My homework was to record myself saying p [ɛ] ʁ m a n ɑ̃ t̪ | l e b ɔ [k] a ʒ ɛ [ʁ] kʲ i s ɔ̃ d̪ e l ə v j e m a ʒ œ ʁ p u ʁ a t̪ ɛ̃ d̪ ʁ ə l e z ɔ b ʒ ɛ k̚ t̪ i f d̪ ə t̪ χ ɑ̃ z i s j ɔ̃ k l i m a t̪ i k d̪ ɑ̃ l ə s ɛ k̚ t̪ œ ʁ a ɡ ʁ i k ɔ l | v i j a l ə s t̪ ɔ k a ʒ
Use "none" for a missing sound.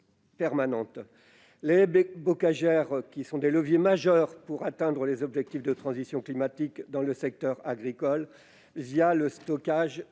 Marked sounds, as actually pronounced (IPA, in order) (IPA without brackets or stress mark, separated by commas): ɛ, k, ʁ